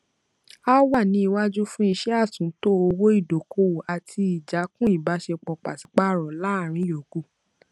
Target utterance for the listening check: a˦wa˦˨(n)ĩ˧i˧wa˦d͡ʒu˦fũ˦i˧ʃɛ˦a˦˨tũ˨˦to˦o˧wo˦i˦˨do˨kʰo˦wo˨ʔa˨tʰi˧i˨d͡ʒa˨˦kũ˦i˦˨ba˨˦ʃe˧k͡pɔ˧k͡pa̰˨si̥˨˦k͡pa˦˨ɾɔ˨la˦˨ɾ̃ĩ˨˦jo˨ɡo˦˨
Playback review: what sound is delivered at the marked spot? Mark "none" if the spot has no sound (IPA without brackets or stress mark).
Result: n